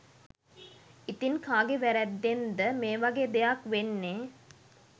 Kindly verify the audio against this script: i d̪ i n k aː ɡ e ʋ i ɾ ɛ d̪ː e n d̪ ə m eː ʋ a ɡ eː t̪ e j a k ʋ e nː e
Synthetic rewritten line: i t̪ i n k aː ɡ e ʋ æ ɾ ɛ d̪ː e n d̪ ə m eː ʋ a ɡ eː d̪ e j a k ʋ e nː e